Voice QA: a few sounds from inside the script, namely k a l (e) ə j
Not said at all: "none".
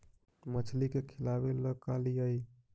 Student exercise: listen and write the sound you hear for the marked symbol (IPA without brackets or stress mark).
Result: i